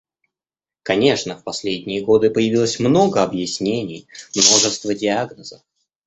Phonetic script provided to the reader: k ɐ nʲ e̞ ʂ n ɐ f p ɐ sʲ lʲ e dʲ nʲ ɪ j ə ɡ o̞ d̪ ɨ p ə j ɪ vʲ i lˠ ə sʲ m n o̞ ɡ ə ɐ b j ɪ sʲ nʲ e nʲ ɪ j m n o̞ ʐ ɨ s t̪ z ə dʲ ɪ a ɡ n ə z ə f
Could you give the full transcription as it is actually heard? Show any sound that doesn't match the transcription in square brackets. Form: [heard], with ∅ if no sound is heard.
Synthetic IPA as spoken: k ɐ nʲ e̞ ʂ n [ə] f p ɐ sʲ lʲ e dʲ nʲ ɪ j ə ɡ o̞ d̪ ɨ p ə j ɪ vʲ i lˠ ə sʲ m n o̞ ɡ ə ɐ b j ɪ sʲ nʲ e nʲ ɪ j m n o̞ ʐ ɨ s t̪ [v] ə dʲ ɪ a ɡ n ə z ə f